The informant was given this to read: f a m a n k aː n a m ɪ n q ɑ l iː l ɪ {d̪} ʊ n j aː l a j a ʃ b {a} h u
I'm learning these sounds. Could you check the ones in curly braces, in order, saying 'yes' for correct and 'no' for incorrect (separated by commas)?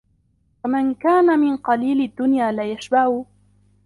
no, yes